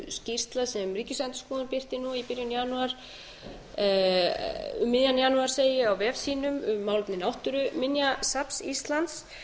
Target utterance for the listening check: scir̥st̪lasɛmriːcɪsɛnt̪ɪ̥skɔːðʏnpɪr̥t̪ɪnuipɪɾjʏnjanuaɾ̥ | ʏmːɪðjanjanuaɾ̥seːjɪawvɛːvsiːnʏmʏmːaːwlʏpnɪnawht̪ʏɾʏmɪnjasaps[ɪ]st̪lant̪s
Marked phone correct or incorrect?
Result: incorrect